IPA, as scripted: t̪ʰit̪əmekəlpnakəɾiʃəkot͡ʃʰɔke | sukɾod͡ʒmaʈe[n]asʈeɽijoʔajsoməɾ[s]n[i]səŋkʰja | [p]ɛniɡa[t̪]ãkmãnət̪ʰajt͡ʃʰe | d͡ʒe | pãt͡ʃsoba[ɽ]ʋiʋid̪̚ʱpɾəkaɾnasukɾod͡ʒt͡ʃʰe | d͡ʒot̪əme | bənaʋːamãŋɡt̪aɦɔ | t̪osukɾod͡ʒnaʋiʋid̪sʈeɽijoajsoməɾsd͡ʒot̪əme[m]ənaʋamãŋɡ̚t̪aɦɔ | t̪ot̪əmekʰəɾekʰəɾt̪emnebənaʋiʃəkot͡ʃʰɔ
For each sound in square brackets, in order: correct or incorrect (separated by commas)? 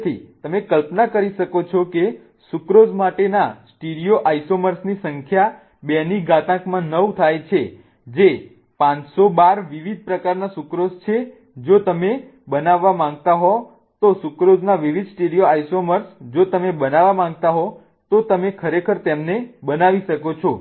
correct, correct, correct, incorrect, correct, incorrect, incorrect